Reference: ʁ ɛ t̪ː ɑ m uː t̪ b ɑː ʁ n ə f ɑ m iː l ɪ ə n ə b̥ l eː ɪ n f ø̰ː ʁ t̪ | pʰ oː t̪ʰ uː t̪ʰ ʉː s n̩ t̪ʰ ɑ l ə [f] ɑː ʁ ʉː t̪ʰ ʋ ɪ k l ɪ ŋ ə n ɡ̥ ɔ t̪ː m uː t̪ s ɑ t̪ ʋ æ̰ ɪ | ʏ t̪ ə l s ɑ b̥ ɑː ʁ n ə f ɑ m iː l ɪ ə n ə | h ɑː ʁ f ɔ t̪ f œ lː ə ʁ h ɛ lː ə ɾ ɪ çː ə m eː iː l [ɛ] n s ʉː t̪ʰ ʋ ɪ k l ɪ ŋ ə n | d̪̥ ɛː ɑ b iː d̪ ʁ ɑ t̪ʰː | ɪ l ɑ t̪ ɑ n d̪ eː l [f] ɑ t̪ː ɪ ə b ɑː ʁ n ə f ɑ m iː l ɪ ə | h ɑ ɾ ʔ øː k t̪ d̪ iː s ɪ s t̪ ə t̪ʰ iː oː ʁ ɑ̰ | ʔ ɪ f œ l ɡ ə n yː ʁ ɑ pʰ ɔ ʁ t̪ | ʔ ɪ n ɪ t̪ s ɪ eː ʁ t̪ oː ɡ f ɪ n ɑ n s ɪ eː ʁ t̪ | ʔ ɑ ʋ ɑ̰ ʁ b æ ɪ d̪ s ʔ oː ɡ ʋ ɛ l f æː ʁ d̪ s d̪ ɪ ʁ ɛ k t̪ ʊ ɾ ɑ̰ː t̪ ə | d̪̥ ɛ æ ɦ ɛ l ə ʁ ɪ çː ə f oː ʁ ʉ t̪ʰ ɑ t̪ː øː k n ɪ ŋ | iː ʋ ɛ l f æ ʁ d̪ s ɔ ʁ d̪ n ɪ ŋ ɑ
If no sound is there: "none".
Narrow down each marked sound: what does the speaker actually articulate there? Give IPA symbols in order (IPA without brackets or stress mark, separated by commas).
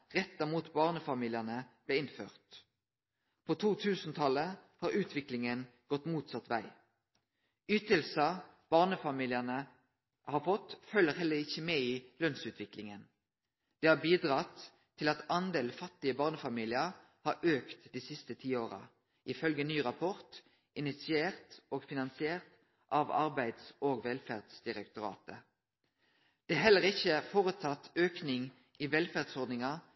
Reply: h, œ, f